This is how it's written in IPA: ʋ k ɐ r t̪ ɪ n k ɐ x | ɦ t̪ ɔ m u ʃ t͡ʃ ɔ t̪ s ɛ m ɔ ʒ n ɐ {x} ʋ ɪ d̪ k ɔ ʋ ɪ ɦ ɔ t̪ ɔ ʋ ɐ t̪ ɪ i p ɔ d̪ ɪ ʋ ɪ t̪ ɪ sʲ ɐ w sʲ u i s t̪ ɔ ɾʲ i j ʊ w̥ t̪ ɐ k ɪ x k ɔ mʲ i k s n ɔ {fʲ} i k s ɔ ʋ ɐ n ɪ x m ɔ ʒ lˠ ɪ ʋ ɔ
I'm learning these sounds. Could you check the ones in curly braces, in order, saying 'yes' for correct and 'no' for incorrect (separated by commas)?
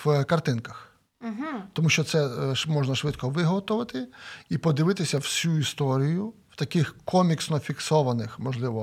no, yes